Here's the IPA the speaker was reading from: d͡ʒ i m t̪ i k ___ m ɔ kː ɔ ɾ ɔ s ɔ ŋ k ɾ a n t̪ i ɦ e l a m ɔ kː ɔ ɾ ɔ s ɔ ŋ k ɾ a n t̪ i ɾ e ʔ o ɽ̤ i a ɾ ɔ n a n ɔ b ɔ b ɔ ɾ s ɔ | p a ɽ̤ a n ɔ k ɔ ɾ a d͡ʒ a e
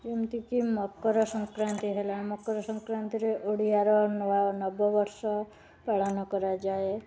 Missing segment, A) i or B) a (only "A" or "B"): A